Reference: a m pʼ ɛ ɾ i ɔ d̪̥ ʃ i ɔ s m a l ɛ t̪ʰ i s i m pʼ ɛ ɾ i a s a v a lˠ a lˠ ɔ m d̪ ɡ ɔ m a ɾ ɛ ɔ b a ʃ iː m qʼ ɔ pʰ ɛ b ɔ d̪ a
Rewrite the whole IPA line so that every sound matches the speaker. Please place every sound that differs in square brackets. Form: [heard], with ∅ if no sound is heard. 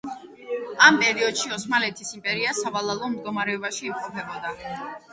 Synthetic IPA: a m pʼ ɛ ɾ i ɔ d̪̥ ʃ i ɔ s m a l ɛ t̪ʰ i s i m pʼ ɛ ɾ i a s a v a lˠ a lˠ ɔ m d̪ ɡ ɔ m a ɾ ɛ ɔ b a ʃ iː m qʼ ɔ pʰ ɛ b ɔ d̪ a

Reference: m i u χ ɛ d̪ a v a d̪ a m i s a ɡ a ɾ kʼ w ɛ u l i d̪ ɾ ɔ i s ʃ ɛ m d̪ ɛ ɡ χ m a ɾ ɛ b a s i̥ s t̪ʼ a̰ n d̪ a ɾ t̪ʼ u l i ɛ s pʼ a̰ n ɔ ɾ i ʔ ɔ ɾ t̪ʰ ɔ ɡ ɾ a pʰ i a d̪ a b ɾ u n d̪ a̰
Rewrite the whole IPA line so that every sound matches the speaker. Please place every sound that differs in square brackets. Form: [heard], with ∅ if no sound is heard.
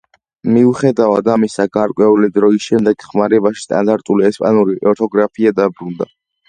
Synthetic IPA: m i u χ ɛ d̪ a v a d̪ a m i s a ɡ a ɾ kʼ w ɛ u l i d̪ ɾ ɔ i s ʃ ɛ m d̪ ɛ ɡ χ m a ɾ ɛ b a [ʃ] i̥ s t̪ʼ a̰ n d̪ a ɾ t̪ʼ u l i ɛ s pʼ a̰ n [u] ɾ i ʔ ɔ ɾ t̪ʰ ɔ ɡ ɾ a pʰ i a d̪ a b ɾ u n d̪ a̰

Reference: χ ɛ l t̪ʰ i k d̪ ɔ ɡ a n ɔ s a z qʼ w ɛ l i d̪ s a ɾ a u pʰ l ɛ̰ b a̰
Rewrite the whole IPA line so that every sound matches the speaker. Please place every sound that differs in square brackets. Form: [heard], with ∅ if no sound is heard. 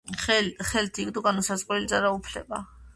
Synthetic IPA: χ ɛ l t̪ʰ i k d̪ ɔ ɡ a n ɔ s a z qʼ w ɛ l i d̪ [z] a ɾ a u pʰ l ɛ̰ b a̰

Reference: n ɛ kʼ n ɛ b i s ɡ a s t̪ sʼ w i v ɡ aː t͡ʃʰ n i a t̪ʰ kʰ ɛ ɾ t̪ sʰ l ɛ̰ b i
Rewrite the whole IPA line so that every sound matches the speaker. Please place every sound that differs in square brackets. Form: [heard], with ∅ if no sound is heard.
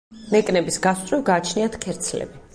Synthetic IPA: n ɛ kʼ n ɛ b i s ɡ a s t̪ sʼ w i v ɡ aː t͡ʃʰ n i a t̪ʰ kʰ ɛ ɾ t̪ sʰ l ɛ̰ b i

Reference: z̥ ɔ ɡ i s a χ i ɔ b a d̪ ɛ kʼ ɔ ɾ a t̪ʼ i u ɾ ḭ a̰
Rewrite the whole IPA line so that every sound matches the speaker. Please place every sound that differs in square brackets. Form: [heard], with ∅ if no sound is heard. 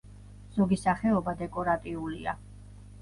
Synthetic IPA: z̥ ɔ ɡ i s a χ [ɛ] ɔ b a d̪ ɛ kʼ ɔ ɾ a t̪ʼ i u [l] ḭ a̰

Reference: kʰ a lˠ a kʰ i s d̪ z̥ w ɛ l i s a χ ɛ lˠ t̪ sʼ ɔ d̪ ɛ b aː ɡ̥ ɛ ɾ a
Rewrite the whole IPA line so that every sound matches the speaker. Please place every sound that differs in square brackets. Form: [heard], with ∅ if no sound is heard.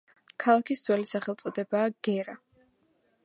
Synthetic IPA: kʰ a lˠ a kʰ i s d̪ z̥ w ɛ l i s a χ ɛ lˠ t̪ sʼ ɔ d̪ ɛ b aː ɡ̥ ɛ ɾ a

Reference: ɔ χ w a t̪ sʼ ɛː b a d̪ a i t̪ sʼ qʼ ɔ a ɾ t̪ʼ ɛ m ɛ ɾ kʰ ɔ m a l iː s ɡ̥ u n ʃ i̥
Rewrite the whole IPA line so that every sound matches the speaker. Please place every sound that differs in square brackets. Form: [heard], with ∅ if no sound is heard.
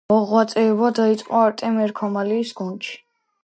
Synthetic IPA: ɔ [ʁ] w a t̪ sʼ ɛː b a d̪ a i t̪ sʼ qʼ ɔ a ɾ t̪ʼ ɛ m ɛ ɾ kʰ ɔ m a l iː s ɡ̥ u n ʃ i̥

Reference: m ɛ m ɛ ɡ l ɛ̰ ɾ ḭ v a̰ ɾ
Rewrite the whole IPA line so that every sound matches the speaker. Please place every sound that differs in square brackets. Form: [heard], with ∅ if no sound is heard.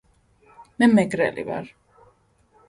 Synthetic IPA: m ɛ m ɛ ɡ [ɾ] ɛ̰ [l] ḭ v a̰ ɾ

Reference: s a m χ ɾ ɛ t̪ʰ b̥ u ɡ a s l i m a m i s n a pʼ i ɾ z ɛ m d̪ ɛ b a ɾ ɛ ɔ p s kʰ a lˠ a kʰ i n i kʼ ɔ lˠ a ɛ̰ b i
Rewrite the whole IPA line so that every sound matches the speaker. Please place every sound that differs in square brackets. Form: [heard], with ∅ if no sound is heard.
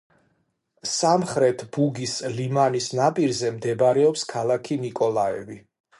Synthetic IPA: s a m χ ɾ ɛ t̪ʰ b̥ u ɡ [i] s l i m a [n] i s n a pʼ i ɾ z ɛ m d̪ ɛ b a ɾ ɛ ɔ p s kʰ a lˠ a kʰ i n i kʼ ɔ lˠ a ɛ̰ [v] i

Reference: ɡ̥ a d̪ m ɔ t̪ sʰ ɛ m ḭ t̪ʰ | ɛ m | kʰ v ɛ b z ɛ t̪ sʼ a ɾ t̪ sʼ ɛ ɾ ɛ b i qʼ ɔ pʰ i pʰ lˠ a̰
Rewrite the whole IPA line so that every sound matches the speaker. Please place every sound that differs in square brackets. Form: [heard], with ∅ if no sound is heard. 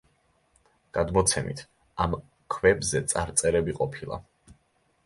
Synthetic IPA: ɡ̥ a d̪ m ɔ t̪ sʰ ɛ m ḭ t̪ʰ | [a] m | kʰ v ɛ b z ɛ t̪ sʼ a ɾ t̪ sʼ ɛ ɾ ɛ b i qʼ ɔ pʰ i [∅] lˠ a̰

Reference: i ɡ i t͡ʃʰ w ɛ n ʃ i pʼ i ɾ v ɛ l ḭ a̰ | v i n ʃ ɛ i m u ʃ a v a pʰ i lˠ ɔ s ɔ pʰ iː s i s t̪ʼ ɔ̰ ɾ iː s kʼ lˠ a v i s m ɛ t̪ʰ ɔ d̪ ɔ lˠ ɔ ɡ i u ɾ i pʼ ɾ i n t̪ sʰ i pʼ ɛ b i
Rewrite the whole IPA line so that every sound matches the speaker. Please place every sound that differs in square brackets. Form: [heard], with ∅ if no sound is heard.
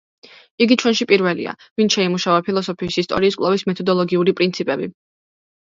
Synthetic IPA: i ɡ i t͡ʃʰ w ɛ n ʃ i pʼ i ɾ v ɛ l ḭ a̰ | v i n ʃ ɛ i m u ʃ a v a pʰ i lˠ ɔ s ɔ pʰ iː s i s t̪ʼ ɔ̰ ɾ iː s kʼ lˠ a v i s m ɛ t̪ʰ ɔ d̪ ɔ lˠ ɔ ɡ i u ɾ i pʼ ɾ i n t̪ sʰ i pʼ ɛ b i

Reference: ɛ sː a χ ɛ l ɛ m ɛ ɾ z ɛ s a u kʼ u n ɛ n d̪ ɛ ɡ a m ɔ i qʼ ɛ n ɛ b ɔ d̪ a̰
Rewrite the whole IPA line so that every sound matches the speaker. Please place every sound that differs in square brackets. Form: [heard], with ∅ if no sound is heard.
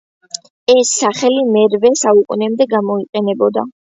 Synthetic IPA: ɛ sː a χ ɛ l [i] m ɛ ɾ [v] ɛ s a u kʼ u n ɛ [m] d̪ ɛ ɡ a m ɔ i qʼ ɛ n ɛ b ɔ d̪ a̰

